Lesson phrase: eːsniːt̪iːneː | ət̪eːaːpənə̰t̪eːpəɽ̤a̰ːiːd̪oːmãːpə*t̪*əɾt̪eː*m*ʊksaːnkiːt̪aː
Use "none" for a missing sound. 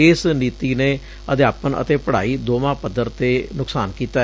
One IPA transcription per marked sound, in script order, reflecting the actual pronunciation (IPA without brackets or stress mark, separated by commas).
d̪, n